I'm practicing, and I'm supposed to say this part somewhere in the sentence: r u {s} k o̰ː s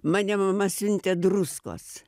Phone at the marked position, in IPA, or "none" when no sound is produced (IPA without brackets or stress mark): s